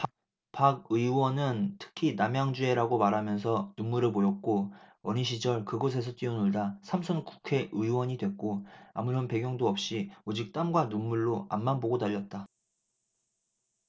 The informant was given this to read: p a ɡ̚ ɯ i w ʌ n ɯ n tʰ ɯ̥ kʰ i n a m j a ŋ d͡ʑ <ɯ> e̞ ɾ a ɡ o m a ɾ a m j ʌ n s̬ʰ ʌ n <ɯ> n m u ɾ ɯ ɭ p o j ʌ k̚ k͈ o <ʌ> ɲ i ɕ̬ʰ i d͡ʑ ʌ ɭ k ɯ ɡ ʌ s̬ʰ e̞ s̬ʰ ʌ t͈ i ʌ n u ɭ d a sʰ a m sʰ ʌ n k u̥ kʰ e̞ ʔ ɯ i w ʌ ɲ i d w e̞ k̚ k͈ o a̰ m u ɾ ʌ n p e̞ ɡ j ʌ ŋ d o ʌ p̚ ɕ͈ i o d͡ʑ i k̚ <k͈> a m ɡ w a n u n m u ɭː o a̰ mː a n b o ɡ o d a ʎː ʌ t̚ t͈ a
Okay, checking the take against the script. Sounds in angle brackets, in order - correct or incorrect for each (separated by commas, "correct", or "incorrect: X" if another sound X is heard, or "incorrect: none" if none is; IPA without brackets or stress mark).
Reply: incorrect: u, incorrect: u, correct, incorrect: t͈